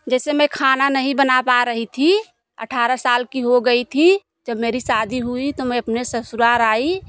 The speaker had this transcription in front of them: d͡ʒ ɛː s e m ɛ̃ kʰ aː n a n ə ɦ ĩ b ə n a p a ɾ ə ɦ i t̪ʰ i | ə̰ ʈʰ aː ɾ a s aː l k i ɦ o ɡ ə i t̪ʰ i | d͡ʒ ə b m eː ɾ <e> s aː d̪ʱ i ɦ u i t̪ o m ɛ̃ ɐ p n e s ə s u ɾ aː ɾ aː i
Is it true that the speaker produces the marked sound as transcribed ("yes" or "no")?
no